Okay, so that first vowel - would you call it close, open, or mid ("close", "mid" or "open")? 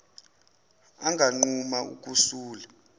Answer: open